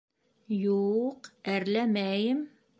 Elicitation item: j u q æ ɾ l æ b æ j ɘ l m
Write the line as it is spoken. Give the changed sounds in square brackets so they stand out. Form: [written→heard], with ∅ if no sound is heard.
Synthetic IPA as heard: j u q æ ɾ l æ [b→m] æ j ɘ [l→∅] m